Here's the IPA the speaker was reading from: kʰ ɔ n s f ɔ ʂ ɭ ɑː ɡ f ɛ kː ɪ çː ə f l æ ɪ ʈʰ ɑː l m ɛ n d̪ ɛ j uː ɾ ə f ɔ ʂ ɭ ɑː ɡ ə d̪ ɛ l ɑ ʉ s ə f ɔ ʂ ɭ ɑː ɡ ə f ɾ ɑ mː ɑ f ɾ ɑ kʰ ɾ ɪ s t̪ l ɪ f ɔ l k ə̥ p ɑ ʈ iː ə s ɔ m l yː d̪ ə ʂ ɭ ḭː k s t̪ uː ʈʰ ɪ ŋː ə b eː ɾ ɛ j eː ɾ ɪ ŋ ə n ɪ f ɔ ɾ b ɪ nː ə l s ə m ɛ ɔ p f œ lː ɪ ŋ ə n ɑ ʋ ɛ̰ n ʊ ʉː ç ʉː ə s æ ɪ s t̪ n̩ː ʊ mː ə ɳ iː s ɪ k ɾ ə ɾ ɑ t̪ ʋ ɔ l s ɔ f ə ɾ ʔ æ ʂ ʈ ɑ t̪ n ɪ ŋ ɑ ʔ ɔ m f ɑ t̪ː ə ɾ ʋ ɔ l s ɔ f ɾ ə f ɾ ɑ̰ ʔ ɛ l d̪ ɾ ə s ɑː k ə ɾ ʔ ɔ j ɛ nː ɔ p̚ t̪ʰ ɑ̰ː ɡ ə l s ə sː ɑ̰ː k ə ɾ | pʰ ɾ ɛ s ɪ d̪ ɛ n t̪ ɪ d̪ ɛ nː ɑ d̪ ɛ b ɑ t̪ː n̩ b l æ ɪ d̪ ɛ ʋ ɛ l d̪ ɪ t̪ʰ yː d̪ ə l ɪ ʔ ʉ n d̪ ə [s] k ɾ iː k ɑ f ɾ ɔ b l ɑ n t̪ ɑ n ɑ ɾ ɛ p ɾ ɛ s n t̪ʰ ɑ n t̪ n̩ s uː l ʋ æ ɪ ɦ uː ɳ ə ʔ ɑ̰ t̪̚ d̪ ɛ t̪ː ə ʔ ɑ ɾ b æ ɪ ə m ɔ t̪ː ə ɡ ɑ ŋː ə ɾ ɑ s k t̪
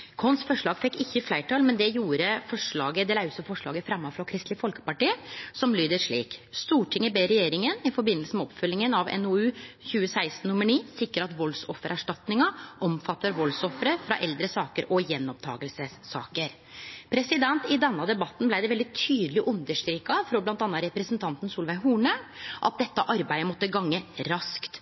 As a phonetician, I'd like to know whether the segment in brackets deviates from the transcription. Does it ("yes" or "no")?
yes